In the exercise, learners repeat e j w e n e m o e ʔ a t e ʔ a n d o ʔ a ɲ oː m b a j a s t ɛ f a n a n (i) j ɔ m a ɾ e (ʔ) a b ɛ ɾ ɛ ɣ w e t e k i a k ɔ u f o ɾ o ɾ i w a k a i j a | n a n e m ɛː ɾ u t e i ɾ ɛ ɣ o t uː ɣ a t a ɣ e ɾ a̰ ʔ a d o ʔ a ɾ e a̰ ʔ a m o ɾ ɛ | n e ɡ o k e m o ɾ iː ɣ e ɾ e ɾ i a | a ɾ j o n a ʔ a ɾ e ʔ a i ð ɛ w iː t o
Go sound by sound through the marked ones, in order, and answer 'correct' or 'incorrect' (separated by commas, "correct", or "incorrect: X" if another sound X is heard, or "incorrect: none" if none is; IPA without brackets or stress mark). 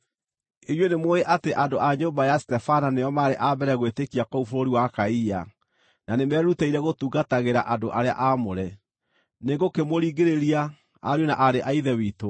incorrect: e, correct